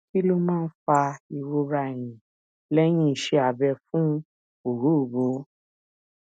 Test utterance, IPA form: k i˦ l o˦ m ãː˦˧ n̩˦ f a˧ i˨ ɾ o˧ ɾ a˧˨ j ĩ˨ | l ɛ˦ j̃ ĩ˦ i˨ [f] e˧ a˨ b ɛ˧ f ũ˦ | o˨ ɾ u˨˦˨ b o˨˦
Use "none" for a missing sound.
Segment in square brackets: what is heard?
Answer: ʃ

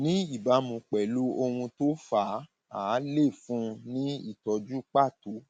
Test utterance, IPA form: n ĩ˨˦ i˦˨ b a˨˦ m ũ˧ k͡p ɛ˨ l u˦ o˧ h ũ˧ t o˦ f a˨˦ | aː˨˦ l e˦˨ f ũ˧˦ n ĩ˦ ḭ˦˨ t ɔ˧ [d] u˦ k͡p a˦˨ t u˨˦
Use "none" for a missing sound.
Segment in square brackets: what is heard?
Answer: d͡ʒ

